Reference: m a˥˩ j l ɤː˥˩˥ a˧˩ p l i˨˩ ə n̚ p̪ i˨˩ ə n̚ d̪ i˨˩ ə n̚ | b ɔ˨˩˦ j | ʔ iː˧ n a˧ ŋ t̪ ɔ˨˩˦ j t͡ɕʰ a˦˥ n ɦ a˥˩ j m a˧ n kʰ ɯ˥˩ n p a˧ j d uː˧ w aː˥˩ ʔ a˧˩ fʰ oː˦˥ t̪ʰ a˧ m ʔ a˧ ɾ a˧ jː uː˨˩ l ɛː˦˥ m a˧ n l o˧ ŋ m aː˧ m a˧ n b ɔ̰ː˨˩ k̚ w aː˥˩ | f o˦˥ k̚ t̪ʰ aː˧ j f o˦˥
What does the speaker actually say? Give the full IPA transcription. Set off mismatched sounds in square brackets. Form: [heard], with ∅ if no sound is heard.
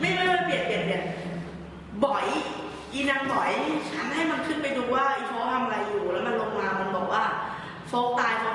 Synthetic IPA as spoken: m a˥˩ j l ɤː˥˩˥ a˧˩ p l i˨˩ ə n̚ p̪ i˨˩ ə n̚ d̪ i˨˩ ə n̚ | b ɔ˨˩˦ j | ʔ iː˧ n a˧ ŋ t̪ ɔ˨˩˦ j t͡ɕʰ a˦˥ n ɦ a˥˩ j m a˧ n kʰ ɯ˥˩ n p a˧ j d uː˧ w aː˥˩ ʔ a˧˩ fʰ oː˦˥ t̪ʰ a˧ m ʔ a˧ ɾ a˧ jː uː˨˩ l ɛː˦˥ m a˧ n l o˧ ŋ m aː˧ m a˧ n b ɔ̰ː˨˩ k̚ w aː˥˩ | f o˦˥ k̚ [t̪] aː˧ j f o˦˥

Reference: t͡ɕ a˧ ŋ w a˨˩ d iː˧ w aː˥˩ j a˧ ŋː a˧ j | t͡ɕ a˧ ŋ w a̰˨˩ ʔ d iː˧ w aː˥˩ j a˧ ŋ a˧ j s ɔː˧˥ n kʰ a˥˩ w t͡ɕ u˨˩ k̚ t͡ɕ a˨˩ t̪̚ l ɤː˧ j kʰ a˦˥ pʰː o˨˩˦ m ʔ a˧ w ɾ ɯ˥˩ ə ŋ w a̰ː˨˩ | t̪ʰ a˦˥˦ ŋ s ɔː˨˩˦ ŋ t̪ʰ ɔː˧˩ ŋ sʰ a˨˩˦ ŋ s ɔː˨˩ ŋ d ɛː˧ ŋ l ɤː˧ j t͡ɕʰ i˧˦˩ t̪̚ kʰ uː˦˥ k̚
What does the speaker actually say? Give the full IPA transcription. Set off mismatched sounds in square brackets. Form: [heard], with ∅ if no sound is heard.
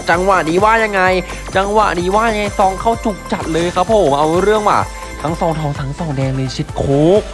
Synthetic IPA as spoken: t͡ɕ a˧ ŋ w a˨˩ d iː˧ w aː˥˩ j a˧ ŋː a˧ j | t͡ɕ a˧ ŋ w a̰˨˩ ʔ d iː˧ w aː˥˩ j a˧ ŋ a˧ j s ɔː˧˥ [ŋ] kʰ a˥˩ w t͡ɕ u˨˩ k̚ t͡ɕ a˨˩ t̪̚ l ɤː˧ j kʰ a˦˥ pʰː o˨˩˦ m ʔ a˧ w ɾ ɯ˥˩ ə ŋ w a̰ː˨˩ | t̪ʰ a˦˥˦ ŋ s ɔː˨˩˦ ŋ t̪ʰ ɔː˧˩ ŋ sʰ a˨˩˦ ŋ s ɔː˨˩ ŋ d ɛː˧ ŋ l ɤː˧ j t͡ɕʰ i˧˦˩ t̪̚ kʰ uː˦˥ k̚

